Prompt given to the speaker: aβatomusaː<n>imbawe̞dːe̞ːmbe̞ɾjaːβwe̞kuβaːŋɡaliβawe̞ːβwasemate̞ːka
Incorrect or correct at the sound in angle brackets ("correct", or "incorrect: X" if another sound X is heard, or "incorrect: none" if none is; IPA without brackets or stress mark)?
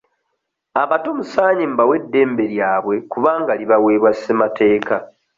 incorrect: ɲ